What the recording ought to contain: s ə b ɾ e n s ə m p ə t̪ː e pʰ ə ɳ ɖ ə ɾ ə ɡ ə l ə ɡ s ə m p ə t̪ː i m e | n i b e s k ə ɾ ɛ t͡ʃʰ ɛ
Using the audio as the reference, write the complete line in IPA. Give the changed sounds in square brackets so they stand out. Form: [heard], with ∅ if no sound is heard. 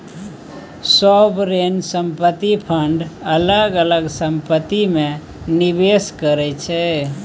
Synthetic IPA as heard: s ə b ɾ e n s ə m p ə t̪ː [i] pʰ ə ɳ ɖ ə [l] ə ɡ ə l ə ɡ s ə m p ə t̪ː i m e | n i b e s k ə ɾ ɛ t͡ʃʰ ɛ